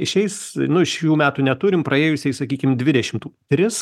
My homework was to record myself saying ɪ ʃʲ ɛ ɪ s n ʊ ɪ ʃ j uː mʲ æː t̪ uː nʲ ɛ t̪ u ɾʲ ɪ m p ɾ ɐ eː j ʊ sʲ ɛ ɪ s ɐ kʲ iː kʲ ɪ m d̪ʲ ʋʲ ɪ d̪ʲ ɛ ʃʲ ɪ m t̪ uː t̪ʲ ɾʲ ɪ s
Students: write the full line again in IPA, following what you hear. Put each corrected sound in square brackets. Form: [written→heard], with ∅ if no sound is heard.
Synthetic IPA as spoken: ɪ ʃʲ ɛ ɪ s n ʊ ɪ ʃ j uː mʲ æː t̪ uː nʲ ɛ t̪ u ɾʲ ɪ m p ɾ ɐ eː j ʊ sʲ ɛ ɪ s ɐ kʲ iː kʲ ɪ m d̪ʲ ʋʲ ɪ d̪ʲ ɛ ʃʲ ɪ m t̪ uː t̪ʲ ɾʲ ɪ s